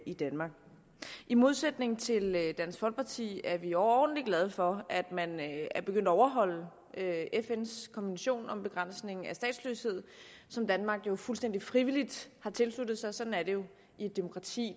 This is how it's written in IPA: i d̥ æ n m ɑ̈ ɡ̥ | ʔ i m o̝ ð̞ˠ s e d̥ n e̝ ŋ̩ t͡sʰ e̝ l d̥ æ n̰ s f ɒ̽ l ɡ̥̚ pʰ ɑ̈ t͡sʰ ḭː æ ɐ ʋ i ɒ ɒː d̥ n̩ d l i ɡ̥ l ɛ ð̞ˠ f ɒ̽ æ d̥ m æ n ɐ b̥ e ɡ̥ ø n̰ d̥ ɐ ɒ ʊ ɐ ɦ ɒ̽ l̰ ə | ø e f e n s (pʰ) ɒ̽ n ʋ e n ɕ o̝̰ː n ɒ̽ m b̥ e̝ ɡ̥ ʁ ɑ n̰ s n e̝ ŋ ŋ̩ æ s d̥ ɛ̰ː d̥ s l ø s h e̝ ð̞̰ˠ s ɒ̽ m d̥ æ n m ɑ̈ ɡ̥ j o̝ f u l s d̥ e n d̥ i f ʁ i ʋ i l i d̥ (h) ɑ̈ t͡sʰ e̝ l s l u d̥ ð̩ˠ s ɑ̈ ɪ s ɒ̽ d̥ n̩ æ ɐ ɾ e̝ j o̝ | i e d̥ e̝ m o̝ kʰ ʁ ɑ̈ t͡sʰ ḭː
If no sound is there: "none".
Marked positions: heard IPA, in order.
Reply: kʰ, h

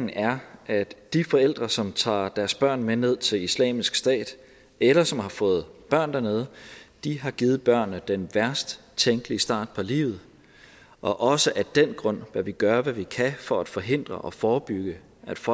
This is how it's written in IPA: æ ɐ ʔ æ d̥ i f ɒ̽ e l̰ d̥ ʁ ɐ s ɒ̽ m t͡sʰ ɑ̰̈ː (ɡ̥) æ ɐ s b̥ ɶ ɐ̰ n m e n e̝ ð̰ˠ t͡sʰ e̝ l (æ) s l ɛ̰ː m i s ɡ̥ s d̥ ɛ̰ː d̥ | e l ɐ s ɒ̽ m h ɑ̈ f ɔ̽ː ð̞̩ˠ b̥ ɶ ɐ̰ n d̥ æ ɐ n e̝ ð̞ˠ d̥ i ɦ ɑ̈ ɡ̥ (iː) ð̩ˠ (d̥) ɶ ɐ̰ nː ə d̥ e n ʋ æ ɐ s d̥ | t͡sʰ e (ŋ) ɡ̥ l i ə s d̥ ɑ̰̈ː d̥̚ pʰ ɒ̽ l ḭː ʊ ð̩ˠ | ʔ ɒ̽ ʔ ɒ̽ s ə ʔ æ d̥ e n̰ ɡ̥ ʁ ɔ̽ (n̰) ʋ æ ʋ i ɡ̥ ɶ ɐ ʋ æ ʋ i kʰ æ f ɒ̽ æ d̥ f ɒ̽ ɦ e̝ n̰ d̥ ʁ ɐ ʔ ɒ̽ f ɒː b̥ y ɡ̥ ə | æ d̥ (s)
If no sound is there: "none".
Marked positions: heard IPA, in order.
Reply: d̥, i, iː, b̥, ŋ, n̰, f

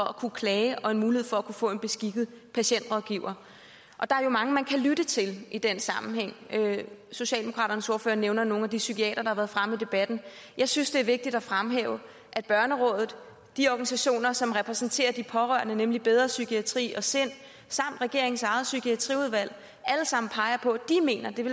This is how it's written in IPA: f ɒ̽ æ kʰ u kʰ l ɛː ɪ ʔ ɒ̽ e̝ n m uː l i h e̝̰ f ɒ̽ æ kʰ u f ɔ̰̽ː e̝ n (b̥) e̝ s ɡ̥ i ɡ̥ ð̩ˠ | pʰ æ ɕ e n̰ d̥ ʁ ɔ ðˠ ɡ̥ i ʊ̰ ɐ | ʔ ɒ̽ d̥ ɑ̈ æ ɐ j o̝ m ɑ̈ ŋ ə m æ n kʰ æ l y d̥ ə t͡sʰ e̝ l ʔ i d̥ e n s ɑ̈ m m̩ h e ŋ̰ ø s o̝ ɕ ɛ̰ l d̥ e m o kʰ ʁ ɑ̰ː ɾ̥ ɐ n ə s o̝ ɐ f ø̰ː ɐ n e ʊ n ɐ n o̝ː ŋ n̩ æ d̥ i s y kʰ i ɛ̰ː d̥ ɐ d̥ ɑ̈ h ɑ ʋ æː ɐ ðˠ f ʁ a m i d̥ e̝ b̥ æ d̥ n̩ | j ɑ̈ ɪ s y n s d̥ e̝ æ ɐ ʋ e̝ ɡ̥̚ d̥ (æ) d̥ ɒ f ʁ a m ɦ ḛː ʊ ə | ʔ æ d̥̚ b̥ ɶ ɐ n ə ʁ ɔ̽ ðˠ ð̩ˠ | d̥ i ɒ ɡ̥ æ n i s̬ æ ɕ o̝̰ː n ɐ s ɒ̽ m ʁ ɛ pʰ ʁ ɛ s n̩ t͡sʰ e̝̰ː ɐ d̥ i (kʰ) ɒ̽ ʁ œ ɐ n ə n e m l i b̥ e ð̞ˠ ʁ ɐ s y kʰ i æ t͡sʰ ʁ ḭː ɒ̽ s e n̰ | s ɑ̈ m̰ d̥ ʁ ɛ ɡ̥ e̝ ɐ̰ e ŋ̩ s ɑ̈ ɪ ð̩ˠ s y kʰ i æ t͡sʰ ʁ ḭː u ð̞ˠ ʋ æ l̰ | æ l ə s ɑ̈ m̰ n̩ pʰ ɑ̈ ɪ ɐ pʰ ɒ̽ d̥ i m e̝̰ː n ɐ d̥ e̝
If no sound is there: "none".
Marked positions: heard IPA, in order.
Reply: b̥, i, pʰ

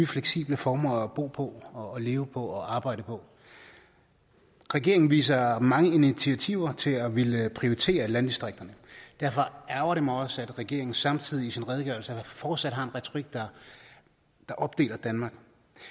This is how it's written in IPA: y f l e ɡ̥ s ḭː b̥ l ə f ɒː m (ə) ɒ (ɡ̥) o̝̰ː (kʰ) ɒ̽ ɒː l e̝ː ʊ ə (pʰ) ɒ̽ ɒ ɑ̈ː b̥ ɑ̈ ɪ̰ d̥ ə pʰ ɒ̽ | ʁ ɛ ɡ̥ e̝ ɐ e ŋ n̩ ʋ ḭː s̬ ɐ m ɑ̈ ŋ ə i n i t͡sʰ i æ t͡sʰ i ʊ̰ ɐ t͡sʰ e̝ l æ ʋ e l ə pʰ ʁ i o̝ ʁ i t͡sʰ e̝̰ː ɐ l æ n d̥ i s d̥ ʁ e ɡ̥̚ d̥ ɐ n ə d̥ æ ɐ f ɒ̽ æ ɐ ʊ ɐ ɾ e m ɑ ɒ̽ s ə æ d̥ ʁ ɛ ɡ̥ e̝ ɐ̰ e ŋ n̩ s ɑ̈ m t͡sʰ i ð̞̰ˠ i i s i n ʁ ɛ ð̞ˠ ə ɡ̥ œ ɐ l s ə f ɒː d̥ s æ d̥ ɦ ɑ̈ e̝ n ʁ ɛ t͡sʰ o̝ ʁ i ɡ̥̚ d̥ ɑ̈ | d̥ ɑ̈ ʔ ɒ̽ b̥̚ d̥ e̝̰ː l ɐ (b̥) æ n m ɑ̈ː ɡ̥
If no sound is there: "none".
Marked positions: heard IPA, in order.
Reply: ɐ, b̥, pʰ, pʰ, d̥

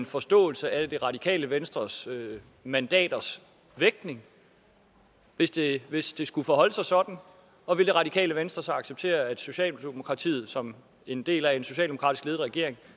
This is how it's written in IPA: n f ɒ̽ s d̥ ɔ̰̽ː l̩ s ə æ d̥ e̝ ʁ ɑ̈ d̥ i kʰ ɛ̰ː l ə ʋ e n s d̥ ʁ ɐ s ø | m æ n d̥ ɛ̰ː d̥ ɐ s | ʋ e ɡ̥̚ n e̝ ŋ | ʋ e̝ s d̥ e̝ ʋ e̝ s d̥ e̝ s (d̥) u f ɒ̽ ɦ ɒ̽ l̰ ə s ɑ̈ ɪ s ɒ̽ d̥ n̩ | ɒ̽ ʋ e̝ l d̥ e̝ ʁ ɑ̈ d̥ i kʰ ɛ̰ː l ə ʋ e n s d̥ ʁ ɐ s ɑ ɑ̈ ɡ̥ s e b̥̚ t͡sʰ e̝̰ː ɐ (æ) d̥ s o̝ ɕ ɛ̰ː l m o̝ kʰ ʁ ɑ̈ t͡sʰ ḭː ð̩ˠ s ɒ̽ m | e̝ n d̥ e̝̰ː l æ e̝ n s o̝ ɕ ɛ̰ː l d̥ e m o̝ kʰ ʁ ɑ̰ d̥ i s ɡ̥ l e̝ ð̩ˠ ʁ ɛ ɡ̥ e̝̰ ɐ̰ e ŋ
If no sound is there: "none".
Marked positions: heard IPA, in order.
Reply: ɡ̥, æ

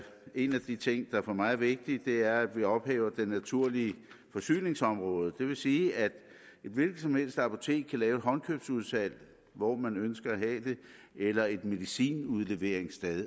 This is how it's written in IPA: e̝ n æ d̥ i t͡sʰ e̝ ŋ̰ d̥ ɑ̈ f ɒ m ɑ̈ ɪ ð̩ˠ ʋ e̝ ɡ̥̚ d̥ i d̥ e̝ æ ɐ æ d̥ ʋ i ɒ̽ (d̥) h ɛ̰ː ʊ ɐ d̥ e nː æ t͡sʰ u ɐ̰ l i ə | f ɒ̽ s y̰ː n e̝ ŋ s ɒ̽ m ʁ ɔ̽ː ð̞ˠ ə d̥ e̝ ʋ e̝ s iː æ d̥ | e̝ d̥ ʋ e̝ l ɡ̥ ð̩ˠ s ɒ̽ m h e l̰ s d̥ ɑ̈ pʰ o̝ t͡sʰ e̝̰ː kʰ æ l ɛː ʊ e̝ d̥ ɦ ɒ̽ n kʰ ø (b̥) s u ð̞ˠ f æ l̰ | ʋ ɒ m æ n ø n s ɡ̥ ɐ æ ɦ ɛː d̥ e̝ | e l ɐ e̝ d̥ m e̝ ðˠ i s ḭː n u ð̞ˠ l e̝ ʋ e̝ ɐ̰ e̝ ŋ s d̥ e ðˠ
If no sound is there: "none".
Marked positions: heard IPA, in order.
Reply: b̥, b̥

